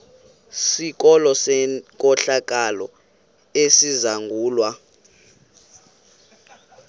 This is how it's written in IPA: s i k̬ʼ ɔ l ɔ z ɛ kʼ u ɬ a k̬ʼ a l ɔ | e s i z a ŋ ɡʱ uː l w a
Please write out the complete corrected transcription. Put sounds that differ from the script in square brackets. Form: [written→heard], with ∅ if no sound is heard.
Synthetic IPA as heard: s i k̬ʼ ɔ l ɔ [z→s] ɛ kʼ [u→ɔ] ɬ a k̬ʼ a l ɔ | e s i z a ŋ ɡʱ uː l w a